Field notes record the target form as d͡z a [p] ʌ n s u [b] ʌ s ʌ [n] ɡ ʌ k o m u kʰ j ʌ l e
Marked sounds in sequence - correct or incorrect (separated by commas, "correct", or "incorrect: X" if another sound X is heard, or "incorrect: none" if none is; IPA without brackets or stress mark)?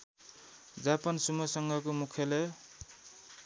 correct, incorrect: m, incorrect: ŋ